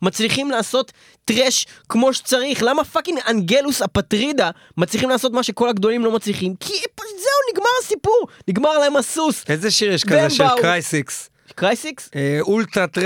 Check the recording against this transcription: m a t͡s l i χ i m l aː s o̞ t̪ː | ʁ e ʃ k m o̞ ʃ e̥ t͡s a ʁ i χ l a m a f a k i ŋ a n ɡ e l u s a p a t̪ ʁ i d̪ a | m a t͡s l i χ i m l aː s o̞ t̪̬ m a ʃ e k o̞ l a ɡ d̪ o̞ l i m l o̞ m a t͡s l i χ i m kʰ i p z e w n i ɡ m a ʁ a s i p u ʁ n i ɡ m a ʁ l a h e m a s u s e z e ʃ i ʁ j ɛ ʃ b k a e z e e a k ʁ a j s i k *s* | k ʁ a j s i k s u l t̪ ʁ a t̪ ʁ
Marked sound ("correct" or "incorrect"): correct